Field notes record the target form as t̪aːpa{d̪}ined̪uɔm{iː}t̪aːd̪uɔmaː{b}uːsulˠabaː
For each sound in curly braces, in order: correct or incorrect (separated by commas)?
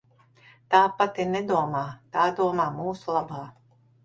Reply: incorrect, incorrect, incorrect